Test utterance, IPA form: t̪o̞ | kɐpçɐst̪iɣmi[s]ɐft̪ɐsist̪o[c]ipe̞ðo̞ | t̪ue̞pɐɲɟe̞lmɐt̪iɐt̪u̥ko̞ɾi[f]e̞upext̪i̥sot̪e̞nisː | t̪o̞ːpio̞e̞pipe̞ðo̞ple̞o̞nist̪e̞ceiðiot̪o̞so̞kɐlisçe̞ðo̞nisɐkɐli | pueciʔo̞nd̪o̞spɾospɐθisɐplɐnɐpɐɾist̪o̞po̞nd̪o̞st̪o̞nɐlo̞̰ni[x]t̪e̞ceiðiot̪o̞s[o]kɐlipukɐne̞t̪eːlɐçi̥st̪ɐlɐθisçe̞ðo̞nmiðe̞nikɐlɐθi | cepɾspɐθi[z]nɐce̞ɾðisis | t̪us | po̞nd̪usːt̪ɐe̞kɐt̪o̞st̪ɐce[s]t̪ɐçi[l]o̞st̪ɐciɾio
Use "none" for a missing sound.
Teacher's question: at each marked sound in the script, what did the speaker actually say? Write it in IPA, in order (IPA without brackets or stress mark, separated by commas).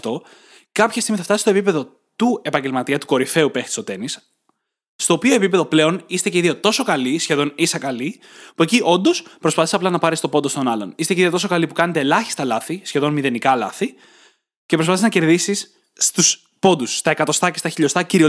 θ, p, f, s, o, z, s, ʎ